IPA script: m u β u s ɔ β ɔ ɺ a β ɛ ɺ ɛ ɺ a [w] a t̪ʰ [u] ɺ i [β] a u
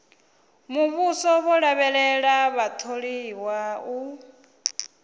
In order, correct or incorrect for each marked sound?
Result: incorrect: β, incorrect: o, incorrect: w

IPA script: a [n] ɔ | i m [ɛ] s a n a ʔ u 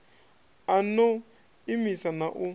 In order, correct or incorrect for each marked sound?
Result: correct, incorrect: i

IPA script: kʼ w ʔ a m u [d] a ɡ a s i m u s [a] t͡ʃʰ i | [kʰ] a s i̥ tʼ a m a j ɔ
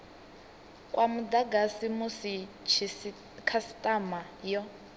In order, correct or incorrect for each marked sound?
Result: correct, incorrect: i, correct

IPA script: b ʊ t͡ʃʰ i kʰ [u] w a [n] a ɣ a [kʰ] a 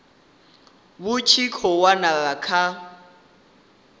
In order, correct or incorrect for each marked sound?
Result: incorrect: ɔ, correct, correct

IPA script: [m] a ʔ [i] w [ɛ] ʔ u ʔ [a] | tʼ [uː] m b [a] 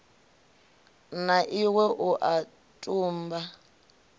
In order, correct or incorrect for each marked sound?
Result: incorrect: n, correct, correct, correct, correct, correct

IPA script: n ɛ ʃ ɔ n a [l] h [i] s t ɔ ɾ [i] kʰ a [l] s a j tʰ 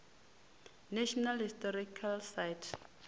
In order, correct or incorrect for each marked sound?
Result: correct, correct, correct, correct

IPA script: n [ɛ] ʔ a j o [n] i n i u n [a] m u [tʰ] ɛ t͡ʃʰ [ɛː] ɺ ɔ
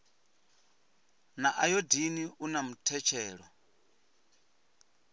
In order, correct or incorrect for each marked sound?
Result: incorrect: a, incorrect: d, correct, correct, correct

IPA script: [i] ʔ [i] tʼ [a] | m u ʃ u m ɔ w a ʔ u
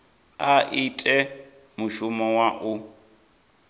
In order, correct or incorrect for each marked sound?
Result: incorrect: a, correct, incorrect: ɛ

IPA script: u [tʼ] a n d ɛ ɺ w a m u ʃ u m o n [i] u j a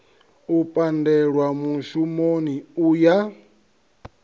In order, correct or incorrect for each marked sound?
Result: incorrect: pʼ, correct

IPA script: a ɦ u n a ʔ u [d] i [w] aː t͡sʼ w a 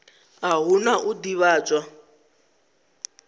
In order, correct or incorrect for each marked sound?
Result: correct, incorrect: β

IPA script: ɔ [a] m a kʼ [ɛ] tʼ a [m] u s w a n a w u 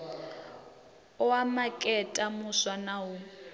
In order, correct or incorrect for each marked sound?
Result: correct, correct, correct

